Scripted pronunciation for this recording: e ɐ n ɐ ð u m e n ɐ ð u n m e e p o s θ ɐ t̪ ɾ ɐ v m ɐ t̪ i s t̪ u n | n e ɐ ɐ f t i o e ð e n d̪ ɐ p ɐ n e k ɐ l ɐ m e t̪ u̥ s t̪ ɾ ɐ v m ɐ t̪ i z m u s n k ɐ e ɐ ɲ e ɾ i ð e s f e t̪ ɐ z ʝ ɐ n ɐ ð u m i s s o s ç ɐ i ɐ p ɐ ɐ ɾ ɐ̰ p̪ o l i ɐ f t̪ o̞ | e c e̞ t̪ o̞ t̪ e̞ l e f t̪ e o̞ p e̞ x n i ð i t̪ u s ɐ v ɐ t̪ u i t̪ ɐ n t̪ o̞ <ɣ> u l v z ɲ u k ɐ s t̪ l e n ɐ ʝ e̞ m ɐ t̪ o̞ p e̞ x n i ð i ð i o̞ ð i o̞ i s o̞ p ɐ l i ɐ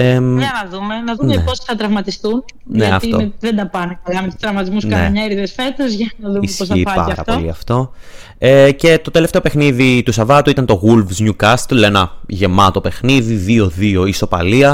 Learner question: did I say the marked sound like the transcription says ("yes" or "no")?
yes